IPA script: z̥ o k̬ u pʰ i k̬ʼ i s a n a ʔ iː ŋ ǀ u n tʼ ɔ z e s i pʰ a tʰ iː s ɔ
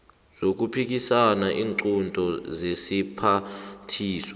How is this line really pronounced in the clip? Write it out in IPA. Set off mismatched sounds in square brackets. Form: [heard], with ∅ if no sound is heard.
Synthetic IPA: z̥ o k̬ u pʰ i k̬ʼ i s a n a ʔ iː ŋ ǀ u n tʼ ɔ z e s i pʰ a tʰ iː s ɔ